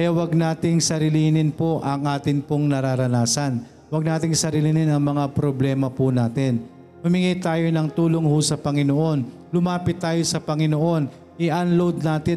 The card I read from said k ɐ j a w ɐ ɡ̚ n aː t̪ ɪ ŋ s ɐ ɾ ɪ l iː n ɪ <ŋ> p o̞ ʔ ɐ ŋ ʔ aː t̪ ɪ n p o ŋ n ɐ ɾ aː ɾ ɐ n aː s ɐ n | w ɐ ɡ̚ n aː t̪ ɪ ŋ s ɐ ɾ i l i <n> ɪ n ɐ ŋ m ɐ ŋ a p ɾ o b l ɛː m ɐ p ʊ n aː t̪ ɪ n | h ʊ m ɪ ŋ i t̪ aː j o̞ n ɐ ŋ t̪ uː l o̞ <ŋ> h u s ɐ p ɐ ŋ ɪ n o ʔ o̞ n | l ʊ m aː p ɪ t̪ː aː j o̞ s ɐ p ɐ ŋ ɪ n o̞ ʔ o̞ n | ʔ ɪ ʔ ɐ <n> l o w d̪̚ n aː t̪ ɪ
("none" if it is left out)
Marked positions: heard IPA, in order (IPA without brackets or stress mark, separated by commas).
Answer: n, n, ŋ, n